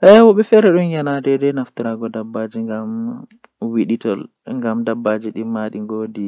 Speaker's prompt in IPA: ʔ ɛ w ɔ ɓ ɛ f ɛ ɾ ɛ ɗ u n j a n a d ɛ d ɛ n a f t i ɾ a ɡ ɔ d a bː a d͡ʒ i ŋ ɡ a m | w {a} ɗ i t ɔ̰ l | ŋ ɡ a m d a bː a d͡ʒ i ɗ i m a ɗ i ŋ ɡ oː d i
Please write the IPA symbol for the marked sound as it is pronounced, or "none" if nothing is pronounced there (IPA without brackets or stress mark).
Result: i